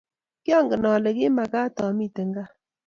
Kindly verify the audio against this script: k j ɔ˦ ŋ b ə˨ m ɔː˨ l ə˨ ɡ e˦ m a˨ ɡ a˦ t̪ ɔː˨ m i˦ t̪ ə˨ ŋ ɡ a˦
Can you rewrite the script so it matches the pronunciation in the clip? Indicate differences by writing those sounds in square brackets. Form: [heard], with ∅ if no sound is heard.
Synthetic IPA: k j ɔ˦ ŋ [ɡ] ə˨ [n] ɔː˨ l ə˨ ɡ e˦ m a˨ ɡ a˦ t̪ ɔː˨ m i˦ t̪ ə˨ ŋ ɡ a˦